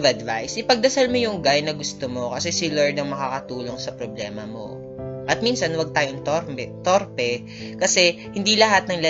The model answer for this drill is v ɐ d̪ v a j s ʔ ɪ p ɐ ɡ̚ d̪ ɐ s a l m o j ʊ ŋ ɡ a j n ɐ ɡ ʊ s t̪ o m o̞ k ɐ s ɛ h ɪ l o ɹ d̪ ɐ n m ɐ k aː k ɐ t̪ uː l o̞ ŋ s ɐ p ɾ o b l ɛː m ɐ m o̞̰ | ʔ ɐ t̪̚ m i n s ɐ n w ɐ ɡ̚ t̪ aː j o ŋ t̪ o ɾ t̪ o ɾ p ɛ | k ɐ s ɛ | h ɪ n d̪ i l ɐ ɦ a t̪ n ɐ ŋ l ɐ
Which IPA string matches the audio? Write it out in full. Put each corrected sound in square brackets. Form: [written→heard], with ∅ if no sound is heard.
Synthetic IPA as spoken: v ɐ d̪ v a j s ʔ ɪ p ɐ ɡ̚ d̪ ɐ s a l m o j ʊ ŋ ɡ a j n ɐ ɡ ʊ s t̪ o m o̞ k ɐ s ɛ [h→s] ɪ l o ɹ d̪ ɐ [n→ŋ] m ɐ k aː k ɐ t̪ uː l o̞ ŋ s ɐ p ɾ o b l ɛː m ɐ m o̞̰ | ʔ ɐ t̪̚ m i n s ɐ n w ɐ ɡ̚ t̪ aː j o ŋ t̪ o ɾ t̪ o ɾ p ɛ | k ɐ s ɛ | h ɪ n d̪ i l ɐ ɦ a t̪ n ɐ ŋ l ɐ